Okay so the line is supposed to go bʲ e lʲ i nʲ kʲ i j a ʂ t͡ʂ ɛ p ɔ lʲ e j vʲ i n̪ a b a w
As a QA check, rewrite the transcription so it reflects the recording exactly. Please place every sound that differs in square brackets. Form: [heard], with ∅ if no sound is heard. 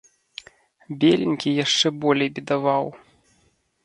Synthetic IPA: bʲ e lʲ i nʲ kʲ i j a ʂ t͡ʂ ɛ [b] ɔ lʲ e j [bʲ] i [d̪] a [v] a w